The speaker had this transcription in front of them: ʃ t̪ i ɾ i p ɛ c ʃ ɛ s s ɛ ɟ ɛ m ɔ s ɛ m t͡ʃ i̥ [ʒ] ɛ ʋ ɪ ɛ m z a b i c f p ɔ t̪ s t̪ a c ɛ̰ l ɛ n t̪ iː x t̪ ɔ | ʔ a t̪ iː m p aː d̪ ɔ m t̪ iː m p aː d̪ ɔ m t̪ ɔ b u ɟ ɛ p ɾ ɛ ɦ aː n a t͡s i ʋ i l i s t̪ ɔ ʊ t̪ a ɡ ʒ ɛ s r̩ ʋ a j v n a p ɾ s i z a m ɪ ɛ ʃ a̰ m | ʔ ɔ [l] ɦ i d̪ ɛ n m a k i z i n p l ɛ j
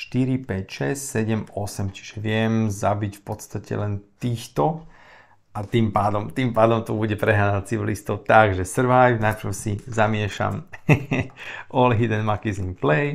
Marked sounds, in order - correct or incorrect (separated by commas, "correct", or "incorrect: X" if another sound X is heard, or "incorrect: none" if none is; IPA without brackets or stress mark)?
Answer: correct, correct